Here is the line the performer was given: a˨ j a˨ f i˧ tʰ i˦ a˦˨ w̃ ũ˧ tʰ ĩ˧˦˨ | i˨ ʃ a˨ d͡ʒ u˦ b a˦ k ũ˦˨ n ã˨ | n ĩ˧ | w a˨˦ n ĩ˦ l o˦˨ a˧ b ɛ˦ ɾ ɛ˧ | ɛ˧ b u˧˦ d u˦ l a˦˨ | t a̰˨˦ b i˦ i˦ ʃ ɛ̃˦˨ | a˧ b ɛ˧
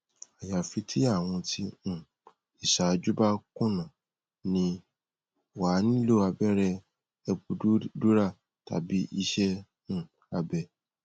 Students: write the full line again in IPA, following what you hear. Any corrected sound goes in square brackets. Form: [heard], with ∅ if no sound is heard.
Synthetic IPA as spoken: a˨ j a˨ f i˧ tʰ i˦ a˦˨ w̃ [ɔ̃˧] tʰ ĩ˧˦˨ | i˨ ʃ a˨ d͡ʒ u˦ b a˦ k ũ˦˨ n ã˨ | n ĩ˧ | w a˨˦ n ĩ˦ l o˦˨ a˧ b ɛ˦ ɾ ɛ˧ | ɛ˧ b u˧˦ d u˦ [ɾ] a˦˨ | t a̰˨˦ b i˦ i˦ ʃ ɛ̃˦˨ | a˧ b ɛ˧